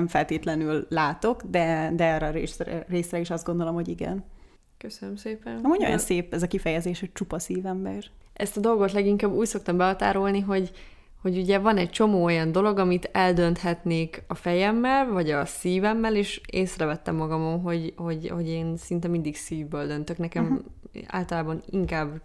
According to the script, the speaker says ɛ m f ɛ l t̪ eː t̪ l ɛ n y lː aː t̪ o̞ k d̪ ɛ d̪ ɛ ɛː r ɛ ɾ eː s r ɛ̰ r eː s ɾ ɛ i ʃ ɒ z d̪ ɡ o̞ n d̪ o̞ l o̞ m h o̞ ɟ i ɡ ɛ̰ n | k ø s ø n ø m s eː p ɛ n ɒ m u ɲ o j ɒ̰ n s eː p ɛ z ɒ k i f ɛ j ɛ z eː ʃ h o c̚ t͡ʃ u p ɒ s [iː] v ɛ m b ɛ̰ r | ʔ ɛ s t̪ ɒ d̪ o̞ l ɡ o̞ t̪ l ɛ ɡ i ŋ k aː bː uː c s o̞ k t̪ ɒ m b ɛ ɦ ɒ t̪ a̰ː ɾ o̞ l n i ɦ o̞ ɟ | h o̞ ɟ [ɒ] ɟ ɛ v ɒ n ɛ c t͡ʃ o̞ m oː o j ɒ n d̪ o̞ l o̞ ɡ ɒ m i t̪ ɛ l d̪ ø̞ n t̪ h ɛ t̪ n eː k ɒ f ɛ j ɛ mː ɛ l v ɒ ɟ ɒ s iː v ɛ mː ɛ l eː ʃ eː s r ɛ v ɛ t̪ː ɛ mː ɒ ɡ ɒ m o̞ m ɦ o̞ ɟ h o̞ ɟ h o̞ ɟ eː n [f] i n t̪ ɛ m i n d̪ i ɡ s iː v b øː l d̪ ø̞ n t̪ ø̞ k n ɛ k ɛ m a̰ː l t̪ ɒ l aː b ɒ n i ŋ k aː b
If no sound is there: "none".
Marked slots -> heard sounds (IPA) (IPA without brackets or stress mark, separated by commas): iː, u, s